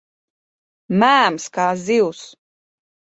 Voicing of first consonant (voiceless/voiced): voiced